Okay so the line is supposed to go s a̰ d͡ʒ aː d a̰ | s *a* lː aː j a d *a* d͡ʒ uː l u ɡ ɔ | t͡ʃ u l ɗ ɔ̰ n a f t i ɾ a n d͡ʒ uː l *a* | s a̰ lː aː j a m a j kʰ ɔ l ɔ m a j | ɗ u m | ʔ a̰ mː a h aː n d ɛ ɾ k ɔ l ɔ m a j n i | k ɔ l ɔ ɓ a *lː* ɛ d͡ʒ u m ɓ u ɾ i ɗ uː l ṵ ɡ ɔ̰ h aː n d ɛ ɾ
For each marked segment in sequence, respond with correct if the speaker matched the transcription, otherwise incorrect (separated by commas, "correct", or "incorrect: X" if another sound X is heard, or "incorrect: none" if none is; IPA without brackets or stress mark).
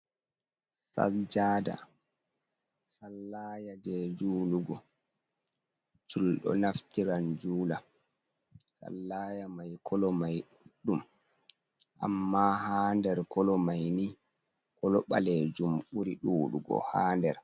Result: correct, incorrect: ɛ, correct, incorrect: l